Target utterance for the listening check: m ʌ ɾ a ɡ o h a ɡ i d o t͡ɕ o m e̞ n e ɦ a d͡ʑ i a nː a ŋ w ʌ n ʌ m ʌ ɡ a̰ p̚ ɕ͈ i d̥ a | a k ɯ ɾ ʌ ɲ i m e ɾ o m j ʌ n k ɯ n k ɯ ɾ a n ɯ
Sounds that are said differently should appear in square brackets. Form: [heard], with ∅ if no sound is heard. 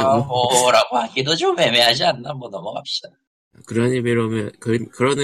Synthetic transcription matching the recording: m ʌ ɾ a ɡ o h a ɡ i d o t͡ɕ o m e̞ [m] e ɦ a d͡ʑ i a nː a [m] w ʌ n ʌ m ʌ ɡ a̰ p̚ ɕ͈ i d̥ a | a k ɯ ɾ ʌ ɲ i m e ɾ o m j ʌ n k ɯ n k ɯ ɾ [ʌ] n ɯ